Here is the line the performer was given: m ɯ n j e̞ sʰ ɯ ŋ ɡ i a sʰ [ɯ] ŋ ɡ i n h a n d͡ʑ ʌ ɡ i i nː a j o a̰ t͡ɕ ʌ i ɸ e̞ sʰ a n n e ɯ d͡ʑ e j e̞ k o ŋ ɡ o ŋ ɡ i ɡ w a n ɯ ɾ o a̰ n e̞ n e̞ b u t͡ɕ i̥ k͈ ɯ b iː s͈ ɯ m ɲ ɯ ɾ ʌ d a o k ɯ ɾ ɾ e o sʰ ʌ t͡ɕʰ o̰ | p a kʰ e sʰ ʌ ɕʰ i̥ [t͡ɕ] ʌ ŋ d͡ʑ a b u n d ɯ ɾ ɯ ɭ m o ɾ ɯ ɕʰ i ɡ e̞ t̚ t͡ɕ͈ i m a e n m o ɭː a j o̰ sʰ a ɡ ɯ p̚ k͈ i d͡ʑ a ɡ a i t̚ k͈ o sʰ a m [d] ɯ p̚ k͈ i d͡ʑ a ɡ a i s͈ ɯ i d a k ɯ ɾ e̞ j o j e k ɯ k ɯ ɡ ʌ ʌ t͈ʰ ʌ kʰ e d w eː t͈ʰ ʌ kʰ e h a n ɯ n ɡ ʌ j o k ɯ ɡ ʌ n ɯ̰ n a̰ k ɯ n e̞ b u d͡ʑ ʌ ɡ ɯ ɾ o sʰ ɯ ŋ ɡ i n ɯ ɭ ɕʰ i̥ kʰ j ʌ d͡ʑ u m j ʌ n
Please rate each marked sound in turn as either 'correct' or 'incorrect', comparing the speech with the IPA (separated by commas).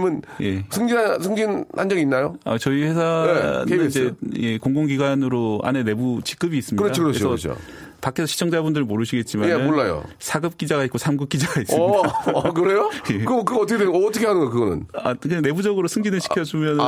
correct, incorrect, incorrect